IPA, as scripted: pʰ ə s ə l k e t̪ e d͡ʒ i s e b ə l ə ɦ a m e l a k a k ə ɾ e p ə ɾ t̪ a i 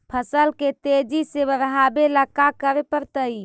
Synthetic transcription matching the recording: pʰ ə s ə l k e t̪ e d͡ʒ i s e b ə ɾ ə ɦ a b e l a k a k ə ɾ e p ə ɾ t̪ ə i